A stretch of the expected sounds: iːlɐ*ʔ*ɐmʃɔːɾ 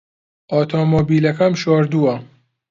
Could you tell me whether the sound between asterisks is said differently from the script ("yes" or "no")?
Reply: yes